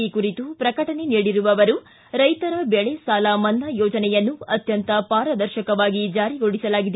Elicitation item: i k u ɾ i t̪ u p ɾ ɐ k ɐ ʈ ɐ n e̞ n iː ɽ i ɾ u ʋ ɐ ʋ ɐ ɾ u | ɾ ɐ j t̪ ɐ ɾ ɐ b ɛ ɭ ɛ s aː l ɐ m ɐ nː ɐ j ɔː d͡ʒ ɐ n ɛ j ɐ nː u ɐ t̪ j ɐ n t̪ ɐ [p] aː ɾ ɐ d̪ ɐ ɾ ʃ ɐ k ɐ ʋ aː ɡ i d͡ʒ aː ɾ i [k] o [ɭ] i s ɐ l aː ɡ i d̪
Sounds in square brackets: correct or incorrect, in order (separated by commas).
correct, incorrect, incorrect